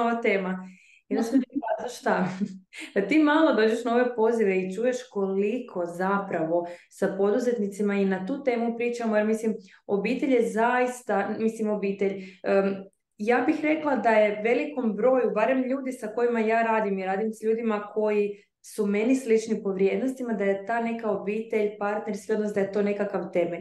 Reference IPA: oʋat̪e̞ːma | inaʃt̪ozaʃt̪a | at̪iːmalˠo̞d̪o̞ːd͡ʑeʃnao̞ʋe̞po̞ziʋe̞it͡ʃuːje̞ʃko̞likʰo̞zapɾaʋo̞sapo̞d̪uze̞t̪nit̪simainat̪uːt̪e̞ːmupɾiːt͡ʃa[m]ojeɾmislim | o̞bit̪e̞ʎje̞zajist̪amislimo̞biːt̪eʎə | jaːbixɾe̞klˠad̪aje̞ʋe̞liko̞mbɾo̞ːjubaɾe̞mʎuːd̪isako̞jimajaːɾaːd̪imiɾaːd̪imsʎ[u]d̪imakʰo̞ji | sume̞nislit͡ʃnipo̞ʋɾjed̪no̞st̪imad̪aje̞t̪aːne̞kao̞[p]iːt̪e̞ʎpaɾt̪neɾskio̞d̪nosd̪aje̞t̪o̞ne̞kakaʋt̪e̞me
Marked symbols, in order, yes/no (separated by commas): yes, no, no